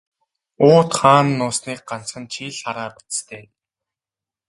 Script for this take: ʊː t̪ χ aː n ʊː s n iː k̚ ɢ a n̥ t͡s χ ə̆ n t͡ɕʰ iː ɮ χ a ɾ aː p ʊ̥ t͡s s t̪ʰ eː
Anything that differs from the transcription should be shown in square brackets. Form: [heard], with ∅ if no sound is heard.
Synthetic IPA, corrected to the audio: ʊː t̪ χ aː [nː] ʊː s n iː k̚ ɢ a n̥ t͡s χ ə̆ n t͡ɕʰ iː ɮ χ a ɾ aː p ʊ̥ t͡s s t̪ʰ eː

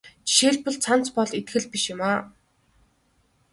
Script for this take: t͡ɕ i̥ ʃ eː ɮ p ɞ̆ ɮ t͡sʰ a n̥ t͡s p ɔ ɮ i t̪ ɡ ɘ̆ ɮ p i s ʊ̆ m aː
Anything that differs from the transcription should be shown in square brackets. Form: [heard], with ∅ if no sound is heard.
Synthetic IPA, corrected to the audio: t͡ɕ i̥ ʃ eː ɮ p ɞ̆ ɮ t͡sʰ a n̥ t͡s p ɔ ɮ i t̪ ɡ ɘ̆ ɮ p i [ʃ] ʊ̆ m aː

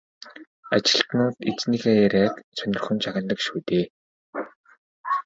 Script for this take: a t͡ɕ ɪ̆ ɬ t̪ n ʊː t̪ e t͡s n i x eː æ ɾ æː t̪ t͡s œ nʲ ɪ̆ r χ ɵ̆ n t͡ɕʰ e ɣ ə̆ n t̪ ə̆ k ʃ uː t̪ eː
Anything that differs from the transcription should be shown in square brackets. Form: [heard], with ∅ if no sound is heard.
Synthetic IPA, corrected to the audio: a t͡ɕ ɪ̆ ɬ t̪ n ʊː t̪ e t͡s n i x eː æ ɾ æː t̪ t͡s œ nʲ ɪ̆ r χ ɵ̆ n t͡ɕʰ [a] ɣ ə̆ n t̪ ə̆ k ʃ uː t̪ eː

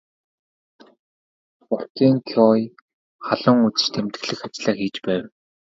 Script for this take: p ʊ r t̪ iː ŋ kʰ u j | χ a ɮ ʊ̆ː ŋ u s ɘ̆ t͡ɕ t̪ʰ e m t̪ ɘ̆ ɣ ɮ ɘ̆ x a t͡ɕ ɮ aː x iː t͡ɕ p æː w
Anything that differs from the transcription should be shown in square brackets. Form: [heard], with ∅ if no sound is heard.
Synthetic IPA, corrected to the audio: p ʊ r t̪ iː ŋ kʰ [ɔ] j | χ a ɮ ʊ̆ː ŋ u [t͡s] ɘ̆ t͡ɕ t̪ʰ e m t̪ ɘ̆ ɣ ɮ ɘ̆ x a t͡ɕ ɮ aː x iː t͡ɕ p æː w

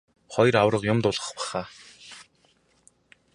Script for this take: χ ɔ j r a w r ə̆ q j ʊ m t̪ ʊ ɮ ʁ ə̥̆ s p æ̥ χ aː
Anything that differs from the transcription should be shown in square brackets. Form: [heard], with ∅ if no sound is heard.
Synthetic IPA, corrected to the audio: χ ɔ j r a w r ə̆ q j ʊ m t̪ ʊ ɮ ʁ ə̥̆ [χ] p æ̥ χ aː

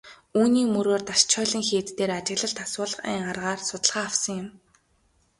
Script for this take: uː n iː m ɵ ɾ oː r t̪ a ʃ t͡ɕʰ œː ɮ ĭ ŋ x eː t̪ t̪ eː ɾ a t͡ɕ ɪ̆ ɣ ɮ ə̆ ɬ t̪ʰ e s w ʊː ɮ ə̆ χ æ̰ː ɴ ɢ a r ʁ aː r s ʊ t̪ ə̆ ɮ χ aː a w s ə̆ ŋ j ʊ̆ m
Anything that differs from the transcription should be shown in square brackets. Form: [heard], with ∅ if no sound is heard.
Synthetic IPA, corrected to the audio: uː n iː m ɵ ɾ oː r t̪ a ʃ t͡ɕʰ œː ɮ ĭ ŋ x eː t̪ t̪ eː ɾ a t͡ɕ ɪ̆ ɣ ɮ ə̆ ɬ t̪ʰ [a] s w ʊː ɮ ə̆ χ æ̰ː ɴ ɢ a r ʁ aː r s ʊ t̪ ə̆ ɮ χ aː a w s ə̆ ŋ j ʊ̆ m

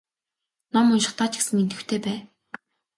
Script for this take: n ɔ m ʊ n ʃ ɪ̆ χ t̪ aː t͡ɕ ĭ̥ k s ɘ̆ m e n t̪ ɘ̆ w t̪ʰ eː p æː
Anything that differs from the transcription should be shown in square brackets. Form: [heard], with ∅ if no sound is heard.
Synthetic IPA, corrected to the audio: n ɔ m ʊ n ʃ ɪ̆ χ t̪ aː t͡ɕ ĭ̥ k s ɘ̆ [ŋ] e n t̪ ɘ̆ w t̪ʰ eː p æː

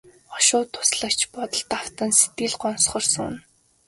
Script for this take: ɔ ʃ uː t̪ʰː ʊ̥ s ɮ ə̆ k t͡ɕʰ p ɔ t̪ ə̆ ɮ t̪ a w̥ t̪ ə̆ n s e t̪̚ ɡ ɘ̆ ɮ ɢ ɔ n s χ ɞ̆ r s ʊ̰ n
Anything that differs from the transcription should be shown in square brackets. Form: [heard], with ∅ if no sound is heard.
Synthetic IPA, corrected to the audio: ɔ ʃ [ʊː] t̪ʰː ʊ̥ s ɮ ə̆ k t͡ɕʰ p ɔ t̪ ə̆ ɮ t̪ a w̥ t̪ ə̆ n s e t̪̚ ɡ ɘ̆ ɮ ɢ ɔ n s χ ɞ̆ r s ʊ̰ n

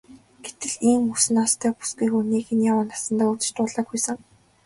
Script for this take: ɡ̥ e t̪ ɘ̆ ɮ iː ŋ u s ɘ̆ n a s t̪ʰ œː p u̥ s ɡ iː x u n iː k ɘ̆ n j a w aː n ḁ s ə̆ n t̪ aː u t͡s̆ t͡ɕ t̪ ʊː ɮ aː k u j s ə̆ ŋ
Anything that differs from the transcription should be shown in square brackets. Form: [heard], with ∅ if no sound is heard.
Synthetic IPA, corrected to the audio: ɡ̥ e t̪ ɘ̆ ɮ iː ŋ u s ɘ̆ n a s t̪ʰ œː p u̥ s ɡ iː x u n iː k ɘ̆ n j a w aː n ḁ s ə̆ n t̪ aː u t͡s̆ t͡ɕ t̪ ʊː ɮ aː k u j s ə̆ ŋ

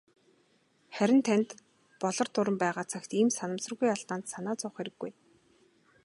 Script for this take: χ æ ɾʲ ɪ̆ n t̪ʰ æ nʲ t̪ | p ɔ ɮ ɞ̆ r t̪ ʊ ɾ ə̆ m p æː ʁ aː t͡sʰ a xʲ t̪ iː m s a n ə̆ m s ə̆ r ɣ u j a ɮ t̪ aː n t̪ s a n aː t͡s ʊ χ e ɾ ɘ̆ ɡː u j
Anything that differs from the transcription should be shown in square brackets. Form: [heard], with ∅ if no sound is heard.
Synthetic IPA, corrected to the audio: χ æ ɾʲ ɪ̆ n t̪ʰ æ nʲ t̪ | p ɔ ɮ ɞ̆ r t̪ ʊ ɾ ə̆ m p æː ʁ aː t͡sʰ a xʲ t̪ iː m s a n ə̆ m s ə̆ r ɣ u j a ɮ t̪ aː n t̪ s a n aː t͡s ʊ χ e ɾ ɘ̆ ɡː u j

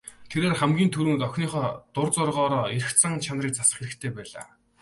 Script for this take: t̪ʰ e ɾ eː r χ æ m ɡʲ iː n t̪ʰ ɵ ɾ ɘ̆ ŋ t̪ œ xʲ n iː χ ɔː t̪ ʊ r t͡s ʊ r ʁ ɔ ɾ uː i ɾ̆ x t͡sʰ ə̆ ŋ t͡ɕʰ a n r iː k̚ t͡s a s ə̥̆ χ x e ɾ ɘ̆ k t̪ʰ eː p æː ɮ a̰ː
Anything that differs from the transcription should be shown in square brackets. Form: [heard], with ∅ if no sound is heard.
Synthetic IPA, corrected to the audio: t̪ʰ e ɾ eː r χ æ m ɡʲ iː n t̪ʰ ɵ ɾ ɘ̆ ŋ t̪ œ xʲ n iː χ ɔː t̪ ʊ r t͡s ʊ r ʁ [ɔː] ɾ [ɔː] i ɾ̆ x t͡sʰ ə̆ ŋ t͡ɕʰ a n r iː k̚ t͡s a s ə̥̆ χ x e ɾ ɘ̆ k t̪ʰ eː p æː ɮ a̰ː

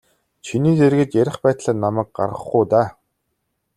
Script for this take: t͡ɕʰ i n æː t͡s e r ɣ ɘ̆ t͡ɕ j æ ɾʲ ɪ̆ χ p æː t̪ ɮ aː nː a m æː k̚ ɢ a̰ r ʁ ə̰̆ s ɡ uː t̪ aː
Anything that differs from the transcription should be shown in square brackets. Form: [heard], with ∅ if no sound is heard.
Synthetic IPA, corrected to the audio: t͡ɕʰ i n [iː] t͡s e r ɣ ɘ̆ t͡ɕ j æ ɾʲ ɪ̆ χ p æː t̪ ɮ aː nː a m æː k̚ ɢ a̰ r ʁ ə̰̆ [χ] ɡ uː t̪ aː

